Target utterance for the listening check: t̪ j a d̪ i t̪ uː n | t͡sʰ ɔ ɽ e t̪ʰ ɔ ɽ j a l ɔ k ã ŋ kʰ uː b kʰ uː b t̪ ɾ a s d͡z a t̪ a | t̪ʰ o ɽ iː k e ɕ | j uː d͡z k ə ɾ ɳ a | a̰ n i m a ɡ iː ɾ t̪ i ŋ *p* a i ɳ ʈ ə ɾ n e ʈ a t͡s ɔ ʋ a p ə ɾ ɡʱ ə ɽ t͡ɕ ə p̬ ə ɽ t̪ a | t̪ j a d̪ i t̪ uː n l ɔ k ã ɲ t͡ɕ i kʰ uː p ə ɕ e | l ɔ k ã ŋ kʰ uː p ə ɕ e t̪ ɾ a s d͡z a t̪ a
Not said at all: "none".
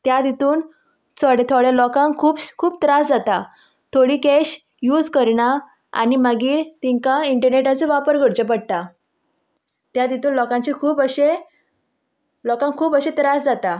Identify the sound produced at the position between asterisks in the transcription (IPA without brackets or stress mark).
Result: k